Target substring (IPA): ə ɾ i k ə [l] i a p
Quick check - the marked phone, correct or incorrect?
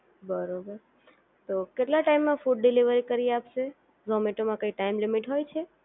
incorrect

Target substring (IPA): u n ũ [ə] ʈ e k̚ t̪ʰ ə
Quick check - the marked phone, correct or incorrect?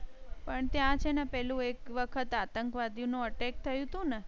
correct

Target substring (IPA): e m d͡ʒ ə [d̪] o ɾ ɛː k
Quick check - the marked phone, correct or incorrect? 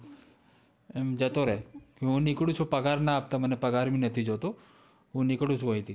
incorrect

